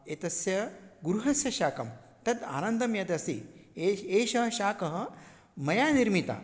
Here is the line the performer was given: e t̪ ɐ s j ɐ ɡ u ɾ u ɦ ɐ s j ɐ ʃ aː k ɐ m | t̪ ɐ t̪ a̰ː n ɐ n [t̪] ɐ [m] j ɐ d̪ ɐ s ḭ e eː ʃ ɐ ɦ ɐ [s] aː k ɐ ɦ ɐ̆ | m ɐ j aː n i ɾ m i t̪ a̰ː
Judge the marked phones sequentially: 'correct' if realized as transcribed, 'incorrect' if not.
incorrect, correct, incorrect

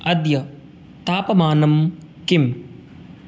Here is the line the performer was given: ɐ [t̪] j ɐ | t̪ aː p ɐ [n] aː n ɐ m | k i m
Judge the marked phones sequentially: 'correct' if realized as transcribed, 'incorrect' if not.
incorrect, incorrect

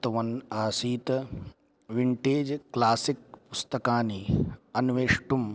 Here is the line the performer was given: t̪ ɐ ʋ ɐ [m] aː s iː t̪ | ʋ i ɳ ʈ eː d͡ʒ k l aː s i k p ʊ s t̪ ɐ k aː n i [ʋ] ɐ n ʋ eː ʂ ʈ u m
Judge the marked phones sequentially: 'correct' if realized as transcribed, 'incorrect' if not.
incorrect, incorrect

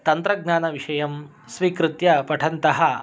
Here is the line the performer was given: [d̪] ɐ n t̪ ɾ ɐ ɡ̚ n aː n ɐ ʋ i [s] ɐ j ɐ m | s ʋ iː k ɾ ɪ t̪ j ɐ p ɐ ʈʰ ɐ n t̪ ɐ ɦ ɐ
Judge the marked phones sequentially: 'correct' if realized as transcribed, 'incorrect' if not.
incorrect, incorrect

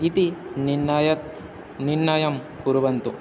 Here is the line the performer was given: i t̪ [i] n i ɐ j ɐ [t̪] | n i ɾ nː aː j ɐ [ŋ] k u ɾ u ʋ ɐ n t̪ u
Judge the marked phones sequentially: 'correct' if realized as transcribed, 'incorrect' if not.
correct, correct, incorrect

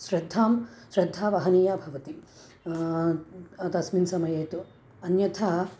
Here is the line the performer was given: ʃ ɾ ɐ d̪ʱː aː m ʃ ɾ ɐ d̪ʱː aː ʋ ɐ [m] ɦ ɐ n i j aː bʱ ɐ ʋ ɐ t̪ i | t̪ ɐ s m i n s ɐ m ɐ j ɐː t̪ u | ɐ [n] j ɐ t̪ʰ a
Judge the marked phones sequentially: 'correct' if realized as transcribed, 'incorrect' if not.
incorrect, correct

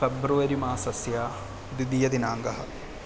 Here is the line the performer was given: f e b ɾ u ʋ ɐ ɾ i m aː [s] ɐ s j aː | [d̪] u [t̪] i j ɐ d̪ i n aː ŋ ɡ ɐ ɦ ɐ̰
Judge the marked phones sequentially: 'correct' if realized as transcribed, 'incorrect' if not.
correct, correct, incorrect

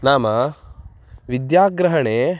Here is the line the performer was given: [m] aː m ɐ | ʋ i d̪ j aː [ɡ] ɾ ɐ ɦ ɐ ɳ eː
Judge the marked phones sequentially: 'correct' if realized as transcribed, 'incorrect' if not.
incorrect, correct

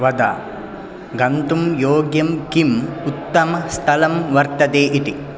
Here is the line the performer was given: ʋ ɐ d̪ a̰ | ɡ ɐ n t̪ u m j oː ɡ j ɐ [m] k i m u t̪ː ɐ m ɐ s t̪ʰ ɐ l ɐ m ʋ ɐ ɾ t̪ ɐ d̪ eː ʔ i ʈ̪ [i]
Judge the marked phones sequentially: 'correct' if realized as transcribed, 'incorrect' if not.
correct, correct

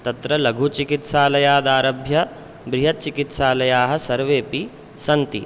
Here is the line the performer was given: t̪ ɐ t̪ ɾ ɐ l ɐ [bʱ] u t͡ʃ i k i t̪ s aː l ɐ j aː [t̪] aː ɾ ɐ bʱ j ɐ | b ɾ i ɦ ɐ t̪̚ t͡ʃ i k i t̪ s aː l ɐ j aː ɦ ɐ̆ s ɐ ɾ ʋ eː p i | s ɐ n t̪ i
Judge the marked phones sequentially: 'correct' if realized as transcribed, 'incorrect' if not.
incorrect, incorrect

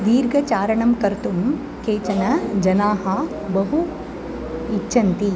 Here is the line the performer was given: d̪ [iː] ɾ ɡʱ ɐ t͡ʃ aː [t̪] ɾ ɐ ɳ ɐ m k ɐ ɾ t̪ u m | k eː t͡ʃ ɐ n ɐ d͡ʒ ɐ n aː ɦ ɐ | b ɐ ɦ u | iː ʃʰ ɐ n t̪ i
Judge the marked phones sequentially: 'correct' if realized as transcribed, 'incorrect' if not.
correct, incorrect

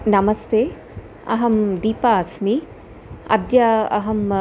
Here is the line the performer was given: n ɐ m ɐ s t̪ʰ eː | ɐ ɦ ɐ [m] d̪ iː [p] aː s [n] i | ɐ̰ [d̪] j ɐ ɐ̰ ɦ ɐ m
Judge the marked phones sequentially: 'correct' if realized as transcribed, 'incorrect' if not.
correct, correct, incorrect, correct

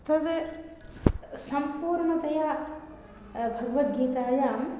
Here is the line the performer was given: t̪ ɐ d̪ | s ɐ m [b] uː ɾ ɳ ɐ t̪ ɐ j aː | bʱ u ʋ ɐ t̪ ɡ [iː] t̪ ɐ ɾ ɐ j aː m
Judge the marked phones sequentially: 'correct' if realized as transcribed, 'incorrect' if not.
incorrect, correct

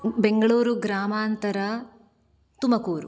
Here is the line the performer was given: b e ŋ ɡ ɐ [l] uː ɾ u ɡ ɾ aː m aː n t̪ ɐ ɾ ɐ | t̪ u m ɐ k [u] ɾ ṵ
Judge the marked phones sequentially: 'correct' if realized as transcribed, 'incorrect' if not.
incorrect, incorrect

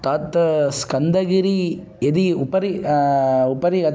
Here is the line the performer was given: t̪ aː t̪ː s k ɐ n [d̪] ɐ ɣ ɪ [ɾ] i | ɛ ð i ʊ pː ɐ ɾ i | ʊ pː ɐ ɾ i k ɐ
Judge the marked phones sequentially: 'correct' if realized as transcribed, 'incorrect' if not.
correct, correct

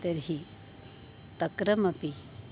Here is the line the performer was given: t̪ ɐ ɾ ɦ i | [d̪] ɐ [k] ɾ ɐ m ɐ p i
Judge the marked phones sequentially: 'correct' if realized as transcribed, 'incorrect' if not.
incorrect, correct

